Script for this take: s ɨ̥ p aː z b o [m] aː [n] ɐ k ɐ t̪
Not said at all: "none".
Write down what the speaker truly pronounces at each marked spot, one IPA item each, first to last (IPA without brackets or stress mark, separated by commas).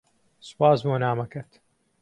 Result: n, m